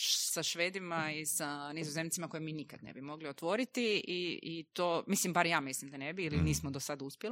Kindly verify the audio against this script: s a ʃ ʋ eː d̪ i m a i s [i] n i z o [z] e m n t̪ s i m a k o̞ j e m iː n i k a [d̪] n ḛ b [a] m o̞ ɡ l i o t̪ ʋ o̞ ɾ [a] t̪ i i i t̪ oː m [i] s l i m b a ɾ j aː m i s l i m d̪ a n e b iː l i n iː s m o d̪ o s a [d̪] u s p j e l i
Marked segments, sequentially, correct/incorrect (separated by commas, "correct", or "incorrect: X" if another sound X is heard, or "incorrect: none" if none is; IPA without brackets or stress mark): incorrect: a, correct, correct, incorrect: i, incorrect: i, correct, correct